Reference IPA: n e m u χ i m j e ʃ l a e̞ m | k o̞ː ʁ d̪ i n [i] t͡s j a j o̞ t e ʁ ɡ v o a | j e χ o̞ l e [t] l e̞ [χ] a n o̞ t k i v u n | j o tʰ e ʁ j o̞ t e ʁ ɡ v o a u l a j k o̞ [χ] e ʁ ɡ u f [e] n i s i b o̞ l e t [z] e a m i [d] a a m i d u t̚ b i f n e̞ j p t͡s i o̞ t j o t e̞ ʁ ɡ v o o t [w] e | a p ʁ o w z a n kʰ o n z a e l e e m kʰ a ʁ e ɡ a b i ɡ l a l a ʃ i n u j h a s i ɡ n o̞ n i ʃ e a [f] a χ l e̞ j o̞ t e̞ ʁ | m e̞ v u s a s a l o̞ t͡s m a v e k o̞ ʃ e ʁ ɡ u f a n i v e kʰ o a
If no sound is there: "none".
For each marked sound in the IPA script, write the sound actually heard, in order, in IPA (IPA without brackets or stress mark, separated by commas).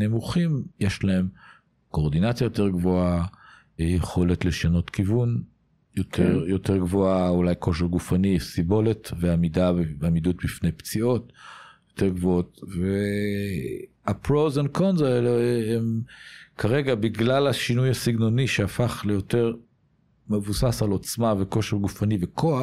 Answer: a, t, ʃ, ʃ, a, v, d, v, f